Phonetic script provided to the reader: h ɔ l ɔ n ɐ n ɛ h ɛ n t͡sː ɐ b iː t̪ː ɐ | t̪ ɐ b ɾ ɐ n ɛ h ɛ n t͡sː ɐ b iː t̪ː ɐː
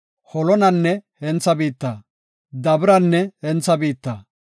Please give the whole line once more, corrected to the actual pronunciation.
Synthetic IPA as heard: h ɔ l ɔ n ɐ nː ɛ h ɛ n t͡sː ɐ b iː t̪ː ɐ | d̪ ɐ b ɾ ɐ nː ɛ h ɛ n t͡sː ɐ b iː t̪ː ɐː